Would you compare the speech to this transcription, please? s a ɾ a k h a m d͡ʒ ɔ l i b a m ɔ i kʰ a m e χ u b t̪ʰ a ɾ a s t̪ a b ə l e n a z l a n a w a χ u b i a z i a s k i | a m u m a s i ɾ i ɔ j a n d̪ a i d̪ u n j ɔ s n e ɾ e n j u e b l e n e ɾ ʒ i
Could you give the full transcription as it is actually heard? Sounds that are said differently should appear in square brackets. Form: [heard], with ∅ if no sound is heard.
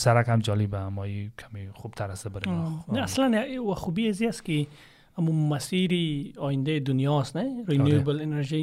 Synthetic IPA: s a ɾ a k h a m d͡ʒ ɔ l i b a m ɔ i kʰ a m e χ u b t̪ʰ a ɾ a s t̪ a b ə [ɾ] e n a [s] l a n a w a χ u b i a z i a s k i | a m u m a s i ɾ i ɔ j [i] n d̪ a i d̪ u n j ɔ s n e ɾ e n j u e b l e n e ɾ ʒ i